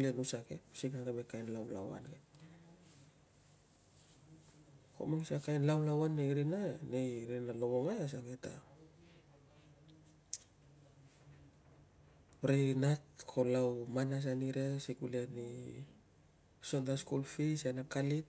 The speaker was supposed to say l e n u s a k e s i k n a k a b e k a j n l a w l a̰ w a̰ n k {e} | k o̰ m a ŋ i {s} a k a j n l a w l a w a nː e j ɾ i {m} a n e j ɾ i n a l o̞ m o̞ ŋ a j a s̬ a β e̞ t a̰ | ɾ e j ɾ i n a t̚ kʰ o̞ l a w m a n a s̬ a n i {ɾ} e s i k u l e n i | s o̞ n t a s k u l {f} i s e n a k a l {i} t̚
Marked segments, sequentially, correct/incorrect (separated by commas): correct, correct, incorrect, correct, correct, correct